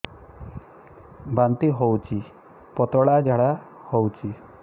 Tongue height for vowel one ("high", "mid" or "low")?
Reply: low